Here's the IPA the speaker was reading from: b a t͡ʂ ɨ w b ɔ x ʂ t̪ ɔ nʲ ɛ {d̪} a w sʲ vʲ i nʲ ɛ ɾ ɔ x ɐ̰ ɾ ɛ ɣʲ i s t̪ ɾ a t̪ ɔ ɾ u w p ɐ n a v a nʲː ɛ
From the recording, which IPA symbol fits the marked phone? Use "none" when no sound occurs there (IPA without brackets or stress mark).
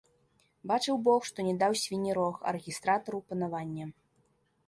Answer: d̪